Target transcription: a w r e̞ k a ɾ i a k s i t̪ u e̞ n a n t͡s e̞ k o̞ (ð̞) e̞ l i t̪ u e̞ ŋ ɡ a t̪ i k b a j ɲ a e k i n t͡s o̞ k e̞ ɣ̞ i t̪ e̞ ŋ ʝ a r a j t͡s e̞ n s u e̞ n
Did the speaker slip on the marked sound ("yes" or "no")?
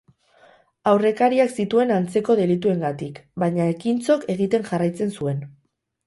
no